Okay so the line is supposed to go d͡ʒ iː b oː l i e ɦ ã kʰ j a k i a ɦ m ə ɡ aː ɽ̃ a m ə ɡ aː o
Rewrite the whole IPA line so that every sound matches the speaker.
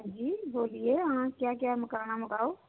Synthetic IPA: d͡ʒ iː b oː l i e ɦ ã k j a k j a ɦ m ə k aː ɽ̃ a m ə k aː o